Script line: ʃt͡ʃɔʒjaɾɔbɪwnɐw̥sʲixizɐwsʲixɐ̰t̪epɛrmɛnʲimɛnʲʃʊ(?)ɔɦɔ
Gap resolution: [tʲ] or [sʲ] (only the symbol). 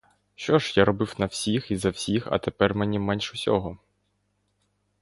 sʲ